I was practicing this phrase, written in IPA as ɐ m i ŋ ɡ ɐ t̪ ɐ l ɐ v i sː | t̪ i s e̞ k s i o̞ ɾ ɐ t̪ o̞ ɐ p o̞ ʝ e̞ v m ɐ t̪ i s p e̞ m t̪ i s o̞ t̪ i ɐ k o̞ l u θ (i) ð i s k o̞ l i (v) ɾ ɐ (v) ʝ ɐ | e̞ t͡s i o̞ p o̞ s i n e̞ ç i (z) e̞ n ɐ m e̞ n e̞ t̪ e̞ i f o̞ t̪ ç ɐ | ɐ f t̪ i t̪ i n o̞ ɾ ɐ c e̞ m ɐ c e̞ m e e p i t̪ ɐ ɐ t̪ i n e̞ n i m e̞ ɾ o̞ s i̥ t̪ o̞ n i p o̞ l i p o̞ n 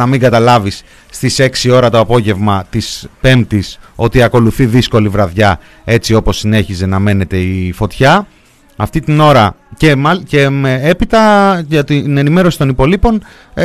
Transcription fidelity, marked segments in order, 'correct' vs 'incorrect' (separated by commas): correct, correct, incorrect, correct